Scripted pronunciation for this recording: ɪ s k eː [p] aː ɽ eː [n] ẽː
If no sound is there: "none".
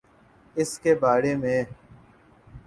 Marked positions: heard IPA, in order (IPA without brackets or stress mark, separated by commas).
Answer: b, m